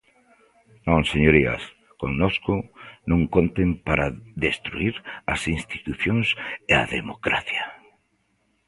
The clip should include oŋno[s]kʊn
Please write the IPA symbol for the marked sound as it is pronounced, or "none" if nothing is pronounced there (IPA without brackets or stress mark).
s